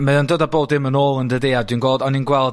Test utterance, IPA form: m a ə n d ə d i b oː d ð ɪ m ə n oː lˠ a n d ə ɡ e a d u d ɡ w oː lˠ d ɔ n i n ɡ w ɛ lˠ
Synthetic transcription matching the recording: m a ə n d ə d a b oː d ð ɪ m ə n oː lˠ ə n d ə d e a d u n ɡ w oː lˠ d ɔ n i n ɡ w ɛ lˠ